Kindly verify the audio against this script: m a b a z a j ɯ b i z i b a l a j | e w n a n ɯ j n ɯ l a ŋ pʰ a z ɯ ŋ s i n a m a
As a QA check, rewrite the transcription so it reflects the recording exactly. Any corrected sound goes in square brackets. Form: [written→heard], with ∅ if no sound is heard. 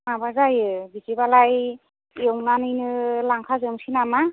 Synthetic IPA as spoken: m a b a z a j ɯ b i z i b a l a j | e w n a n ɯ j n ɯ l a ŋ [pʰ→kʰ] a z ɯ [ŋ→m] s i n a m a